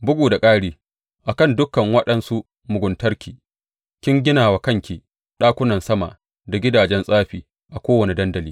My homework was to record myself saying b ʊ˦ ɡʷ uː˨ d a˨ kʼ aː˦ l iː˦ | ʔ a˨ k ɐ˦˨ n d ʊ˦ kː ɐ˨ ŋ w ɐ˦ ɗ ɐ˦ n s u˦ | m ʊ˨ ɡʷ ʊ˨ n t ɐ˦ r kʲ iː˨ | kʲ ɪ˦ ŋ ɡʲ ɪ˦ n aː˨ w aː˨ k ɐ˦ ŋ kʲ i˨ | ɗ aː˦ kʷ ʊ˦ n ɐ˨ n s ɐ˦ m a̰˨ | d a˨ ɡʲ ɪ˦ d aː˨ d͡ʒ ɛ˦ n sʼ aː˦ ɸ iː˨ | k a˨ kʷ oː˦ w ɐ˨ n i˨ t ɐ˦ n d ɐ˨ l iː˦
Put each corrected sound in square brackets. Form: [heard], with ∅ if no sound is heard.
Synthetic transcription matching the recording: b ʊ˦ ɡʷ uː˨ d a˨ kʼ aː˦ [ɽ] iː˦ | ʔ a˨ k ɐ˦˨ n d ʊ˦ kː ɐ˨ ŋ w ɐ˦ ɗ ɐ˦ n s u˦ | m ʊ˨ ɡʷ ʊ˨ n t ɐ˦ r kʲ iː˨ | kʲ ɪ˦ ŋ ɡʲ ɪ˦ n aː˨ w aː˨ k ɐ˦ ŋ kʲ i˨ | ɗ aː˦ kʷ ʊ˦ n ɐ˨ n s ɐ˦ m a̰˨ | d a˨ ɡʲ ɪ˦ d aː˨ d͡ʒ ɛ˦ n sʼ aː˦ ɸ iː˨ | [ʔ] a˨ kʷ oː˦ w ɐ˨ n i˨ [d] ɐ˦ n d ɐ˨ l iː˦

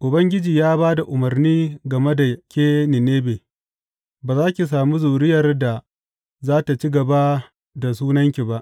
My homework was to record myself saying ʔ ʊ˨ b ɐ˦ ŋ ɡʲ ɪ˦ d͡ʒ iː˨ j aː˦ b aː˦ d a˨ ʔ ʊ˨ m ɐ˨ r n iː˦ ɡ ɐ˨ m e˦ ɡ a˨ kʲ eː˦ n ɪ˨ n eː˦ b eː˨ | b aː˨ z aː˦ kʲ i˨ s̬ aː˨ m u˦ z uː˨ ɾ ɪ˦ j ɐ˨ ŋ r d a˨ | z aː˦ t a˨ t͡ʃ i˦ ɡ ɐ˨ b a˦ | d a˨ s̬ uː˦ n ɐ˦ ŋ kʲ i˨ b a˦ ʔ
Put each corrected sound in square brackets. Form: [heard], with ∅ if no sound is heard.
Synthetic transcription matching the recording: ʔ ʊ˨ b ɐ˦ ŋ ɡʲ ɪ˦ d͡ʒ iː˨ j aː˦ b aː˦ d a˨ ʔ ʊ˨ m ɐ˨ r n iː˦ ɡ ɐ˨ m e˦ [d] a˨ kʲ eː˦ n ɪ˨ n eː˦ b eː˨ | b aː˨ z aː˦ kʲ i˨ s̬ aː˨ m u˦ z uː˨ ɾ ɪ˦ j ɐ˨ [∅] r d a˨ | z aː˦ t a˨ t͡ʃ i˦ ɡ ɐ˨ b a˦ | d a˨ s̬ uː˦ n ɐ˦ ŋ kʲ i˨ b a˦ ʔ

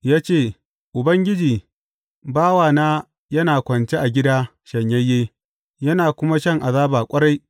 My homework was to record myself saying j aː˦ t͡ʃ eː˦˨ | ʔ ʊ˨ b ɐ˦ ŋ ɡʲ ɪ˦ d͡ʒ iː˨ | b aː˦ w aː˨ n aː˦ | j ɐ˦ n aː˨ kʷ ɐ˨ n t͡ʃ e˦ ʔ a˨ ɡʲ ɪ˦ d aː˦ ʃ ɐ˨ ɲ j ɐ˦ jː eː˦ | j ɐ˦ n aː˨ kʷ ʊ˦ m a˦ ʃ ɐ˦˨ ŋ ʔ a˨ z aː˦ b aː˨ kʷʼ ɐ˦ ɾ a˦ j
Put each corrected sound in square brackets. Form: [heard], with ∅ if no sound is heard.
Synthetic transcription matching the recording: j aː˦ t͡ʃ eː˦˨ | ʔ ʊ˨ b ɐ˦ ŋ ɡʲ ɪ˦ d͡ʒ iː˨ | b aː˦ w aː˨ n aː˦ | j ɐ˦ n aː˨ kʷ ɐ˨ n t͡ʃ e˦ ʔ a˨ ɡʲ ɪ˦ d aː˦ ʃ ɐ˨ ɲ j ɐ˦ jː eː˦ | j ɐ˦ n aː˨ kʷ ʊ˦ m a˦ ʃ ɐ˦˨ ŋ ʔ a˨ z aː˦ b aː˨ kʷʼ ɐ˦ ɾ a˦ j

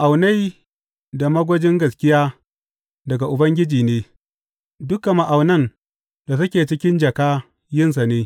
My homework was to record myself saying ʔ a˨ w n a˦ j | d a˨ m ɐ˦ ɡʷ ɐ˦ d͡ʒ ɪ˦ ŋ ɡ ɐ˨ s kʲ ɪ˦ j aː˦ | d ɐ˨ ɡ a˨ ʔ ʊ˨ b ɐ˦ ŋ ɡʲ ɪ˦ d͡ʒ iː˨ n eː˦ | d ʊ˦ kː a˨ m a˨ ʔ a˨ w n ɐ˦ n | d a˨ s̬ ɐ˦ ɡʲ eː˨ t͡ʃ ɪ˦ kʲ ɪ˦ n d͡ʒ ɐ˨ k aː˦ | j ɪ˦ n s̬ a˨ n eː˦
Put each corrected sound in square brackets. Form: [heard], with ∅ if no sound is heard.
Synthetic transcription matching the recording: ʔ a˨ w n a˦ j | d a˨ m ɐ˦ ɡʷ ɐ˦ d͡ʒ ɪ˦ ŋ ɡ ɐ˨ s kʲ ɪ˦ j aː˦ | d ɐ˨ ɡ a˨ ʔ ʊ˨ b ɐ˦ ŋ ɡʲ ɪ˦ d͡ʒ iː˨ n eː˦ | d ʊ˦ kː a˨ m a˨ ʔ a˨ w n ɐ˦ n | d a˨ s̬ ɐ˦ [kʲ] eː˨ t͡ʃ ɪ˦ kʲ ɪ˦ n d͡ʒ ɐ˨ k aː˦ | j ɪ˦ n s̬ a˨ n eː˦

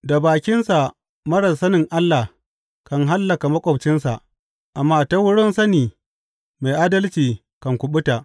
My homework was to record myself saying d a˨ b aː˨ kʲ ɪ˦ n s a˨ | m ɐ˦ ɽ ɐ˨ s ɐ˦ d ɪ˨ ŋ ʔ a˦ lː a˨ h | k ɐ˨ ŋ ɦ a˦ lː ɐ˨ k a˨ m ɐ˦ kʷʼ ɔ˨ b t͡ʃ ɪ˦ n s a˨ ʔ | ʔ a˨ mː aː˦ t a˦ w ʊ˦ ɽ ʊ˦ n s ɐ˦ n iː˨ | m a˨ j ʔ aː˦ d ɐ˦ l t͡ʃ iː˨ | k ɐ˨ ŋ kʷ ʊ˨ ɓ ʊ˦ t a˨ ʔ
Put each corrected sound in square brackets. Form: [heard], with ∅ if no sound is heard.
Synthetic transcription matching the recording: d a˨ b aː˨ kʲ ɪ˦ n s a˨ | m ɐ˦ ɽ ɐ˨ s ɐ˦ [n] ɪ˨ ŋ ʔ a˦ lː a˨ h | k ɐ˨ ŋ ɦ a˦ lː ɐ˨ k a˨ m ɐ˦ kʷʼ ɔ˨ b t͡ʃ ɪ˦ n s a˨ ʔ | ʔ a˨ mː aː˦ t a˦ w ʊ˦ ɽ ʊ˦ n s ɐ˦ n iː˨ | m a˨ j ʔ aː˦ d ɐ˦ l t͡ʃ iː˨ | k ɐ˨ ŋ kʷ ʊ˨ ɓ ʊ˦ t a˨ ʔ

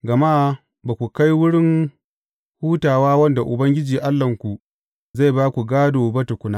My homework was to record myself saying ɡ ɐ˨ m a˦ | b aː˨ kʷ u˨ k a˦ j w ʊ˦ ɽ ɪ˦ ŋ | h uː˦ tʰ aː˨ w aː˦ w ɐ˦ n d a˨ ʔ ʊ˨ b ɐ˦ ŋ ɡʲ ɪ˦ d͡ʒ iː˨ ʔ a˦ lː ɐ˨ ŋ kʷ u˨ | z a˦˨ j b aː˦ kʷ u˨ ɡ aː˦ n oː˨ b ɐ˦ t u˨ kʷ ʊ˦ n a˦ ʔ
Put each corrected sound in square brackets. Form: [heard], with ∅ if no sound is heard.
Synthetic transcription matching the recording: ɡ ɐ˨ m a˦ | b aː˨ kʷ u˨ k a˦ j w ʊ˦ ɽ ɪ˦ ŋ | h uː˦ [t] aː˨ w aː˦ w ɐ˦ n d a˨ ʔ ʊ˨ b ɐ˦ ŋ ɡʲ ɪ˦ d͡ʒ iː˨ ʔ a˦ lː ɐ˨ ŋ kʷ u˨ | z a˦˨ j b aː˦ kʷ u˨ ɡ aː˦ [d] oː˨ b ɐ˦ t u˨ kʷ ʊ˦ n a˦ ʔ

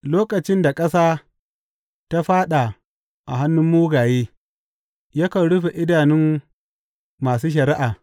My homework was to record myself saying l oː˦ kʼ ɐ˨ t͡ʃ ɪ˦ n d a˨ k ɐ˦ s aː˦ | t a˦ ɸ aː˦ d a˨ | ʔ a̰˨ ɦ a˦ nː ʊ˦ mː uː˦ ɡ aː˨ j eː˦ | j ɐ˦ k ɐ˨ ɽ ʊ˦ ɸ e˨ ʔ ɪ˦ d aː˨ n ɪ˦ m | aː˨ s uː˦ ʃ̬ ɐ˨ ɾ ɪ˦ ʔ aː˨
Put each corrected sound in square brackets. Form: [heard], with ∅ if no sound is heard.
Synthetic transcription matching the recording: l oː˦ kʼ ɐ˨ t͡ʃ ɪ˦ n d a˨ [kʼ] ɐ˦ s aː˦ | t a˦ ɸ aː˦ [ɗ] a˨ | ʔ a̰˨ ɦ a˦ nː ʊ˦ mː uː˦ ɡ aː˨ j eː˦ | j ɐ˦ k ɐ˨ ɽ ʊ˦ ɸ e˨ ʔ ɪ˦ d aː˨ n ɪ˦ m | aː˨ s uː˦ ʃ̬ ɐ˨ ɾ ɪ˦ ʔ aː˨

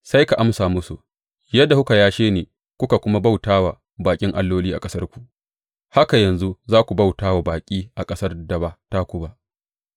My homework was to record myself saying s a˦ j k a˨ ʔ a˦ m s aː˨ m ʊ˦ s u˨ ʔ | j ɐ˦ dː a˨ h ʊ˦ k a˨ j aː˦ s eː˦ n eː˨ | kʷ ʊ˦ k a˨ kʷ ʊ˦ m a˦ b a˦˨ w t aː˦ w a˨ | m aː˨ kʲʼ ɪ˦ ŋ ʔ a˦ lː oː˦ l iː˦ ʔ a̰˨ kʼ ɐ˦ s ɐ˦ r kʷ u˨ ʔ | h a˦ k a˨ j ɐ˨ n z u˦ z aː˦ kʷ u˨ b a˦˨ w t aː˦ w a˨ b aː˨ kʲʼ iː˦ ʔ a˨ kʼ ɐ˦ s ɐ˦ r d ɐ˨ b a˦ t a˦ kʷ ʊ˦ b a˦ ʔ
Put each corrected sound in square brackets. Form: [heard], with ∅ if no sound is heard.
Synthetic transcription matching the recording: s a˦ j k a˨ ʔ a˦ m s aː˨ m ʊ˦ s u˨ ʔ | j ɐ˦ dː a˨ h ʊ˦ k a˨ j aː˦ [ʃ] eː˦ n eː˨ | kʷ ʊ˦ k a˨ kʷ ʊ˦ m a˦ b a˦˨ w t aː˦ w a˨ | [b] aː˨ kʲʼ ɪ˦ ŋ ʔ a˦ lː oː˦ l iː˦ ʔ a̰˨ kʼ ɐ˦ s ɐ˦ r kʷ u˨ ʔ | h a˦ k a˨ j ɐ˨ n z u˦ z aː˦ kʷ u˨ b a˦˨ w t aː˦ w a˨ b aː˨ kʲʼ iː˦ ʔ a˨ kʼ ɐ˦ s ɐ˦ r d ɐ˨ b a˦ t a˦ kʷ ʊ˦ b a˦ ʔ

